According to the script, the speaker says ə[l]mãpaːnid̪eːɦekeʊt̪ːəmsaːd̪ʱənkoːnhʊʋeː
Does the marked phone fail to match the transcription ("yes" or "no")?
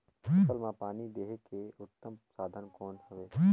no